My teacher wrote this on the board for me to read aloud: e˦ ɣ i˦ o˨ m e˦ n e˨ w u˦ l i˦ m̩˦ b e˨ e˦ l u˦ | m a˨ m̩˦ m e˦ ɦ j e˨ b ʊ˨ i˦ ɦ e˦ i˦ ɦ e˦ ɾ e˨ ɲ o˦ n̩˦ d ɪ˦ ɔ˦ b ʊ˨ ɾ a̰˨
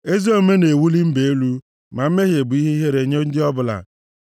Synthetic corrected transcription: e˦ z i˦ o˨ m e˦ n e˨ w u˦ l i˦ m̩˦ b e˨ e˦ l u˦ | m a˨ m̩˦ m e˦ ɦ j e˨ b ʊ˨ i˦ ɦ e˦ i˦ ɦ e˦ ɾ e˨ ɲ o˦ n̩˦ d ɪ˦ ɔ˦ b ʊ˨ l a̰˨